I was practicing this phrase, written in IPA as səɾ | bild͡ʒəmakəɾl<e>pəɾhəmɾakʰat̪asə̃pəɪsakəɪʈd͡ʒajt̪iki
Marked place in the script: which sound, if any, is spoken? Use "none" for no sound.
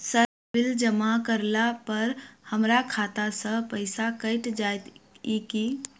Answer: a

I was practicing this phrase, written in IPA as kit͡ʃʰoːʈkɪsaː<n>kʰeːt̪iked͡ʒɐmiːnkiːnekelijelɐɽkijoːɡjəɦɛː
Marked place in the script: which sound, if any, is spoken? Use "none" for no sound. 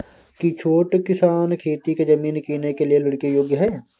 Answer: n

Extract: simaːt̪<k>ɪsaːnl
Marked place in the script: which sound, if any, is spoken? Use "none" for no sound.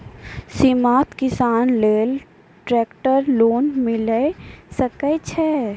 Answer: k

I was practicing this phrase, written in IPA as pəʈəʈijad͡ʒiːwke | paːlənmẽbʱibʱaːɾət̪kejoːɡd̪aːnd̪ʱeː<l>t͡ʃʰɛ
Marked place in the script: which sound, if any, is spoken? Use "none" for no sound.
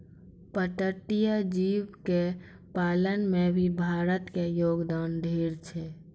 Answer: ɾ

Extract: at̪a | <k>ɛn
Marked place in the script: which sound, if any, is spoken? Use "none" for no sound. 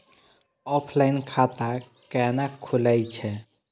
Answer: k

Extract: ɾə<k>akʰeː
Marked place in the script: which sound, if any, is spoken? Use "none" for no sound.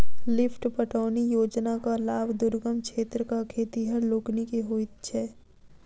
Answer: k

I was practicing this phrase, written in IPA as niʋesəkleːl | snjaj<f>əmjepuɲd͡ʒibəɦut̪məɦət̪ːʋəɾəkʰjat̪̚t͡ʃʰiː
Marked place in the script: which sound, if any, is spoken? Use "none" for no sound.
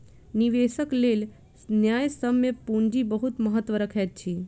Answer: s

